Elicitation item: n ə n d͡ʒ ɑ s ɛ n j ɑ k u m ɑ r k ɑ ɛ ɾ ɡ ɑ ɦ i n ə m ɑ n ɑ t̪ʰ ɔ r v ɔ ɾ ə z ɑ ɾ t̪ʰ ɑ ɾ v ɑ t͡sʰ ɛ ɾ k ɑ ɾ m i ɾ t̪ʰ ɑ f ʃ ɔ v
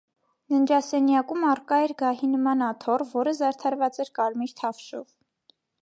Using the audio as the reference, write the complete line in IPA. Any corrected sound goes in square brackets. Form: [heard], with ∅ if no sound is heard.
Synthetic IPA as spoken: n ə n d͡ʒ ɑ s ɛ n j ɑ k u m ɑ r k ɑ ɛ ɾ ɡ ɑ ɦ i n ə m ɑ n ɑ t̪ʰ ɔ r v ɔ ɾ ə z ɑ ɾ t̪ʰ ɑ ɾ v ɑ [t͡s] ɛ ɾ k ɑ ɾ m i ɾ t̪ʰ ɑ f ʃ ɔ v